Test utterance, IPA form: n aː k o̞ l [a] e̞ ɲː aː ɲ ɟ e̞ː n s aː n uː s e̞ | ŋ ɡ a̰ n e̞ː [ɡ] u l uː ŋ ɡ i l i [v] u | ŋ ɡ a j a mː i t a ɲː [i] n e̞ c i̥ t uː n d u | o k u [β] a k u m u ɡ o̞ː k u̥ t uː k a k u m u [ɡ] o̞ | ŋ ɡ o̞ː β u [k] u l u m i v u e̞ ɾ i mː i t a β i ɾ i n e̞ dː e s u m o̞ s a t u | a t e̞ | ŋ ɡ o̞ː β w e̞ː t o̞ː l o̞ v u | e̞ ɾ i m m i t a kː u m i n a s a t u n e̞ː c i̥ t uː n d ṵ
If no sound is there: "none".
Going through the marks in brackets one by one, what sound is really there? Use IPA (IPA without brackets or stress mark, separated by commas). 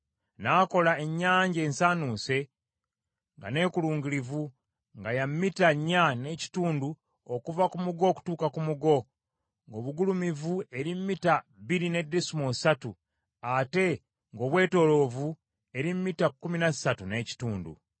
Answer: a, k, v, a, v, ɡ, ɡ